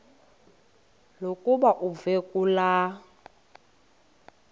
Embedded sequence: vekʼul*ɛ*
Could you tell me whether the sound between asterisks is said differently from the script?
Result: yes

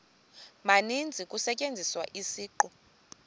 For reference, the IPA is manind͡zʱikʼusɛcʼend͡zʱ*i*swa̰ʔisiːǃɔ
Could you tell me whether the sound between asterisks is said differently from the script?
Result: no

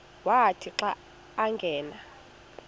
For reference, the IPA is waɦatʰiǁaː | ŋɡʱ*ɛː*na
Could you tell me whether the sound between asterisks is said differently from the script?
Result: no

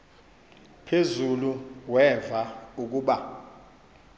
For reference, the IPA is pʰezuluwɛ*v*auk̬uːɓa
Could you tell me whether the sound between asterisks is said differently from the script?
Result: no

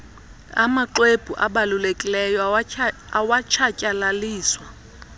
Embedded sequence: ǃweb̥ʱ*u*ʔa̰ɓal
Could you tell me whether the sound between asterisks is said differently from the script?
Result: no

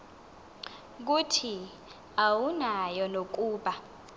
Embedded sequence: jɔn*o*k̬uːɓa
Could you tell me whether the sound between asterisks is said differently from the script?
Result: no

